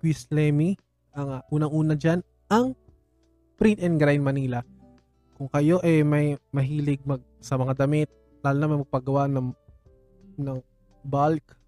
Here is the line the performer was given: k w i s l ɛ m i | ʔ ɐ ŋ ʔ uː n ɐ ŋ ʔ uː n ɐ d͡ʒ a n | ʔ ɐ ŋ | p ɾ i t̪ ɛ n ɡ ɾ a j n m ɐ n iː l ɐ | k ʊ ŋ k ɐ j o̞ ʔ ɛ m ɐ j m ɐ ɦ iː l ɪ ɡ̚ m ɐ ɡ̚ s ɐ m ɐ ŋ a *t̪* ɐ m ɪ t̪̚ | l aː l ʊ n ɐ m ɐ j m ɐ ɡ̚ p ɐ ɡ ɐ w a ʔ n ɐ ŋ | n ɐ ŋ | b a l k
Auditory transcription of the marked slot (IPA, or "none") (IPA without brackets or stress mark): d̪